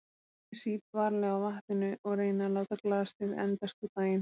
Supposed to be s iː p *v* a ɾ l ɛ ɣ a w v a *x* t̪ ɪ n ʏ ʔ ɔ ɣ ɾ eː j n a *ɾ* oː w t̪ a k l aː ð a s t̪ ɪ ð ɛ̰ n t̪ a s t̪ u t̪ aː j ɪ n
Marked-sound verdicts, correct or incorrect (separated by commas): correct, incorrect, incorrect